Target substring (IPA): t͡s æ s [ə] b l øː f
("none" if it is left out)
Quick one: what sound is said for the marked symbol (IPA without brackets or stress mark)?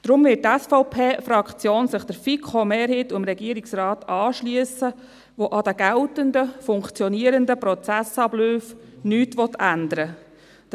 ɑ